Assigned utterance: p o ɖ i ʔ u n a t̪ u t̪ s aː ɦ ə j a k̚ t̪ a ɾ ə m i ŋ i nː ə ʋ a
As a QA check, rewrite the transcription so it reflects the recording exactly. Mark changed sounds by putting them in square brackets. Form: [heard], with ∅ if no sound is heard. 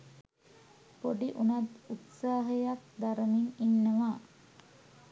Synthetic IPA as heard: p o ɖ i ʔ u n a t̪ u t̪ s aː ɦ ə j a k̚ [d̪] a ɾ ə m i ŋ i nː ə ʋ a